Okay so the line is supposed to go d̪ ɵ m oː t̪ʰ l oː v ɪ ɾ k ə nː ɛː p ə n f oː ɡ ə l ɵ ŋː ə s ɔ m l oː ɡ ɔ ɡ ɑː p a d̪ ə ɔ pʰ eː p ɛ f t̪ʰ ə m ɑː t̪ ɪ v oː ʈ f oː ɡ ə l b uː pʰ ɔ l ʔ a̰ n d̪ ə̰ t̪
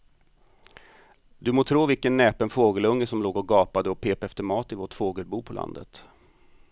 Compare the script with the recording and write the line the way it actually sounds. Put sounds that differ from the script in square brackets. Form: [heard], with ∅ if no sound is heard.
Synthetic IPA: d̪ ɵ m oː t̪ʰ [ɾ] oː v ɪ [l] k ə nː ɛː p ə n f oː ɡ ə l ɵ ŋː ə s ɔ m l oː ɡ ɔ ɡ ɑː p a d̪ ə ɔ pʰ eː p ɛ f [t̪] ə m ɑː t̪ ɪ v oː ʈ f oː ɡ ə l b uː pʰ ɔ l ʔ a̰ n d̪ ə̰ t̪